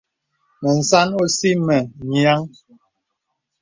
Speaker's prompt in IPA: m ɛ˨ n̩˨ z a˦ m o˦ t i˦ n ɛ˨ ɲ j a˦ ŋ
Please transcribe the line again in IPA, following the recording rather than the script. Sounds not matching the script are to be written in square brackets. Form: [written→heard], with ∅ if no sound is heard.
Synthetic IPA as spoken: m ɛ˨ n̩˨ [z→s] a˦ [m→n] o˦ [t→s] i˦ [n→m] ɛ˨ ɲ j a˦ ŋ